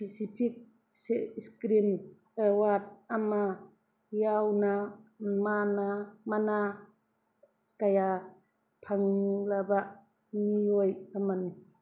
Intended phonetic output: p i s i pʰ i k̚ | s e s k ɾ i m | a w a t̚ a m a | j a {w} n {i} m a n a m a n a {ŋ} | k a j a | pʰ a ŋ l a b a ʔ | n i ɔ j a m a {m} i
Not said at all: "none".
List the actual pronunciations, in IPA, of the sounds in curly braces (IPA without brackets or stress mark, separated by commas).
w, a, none, n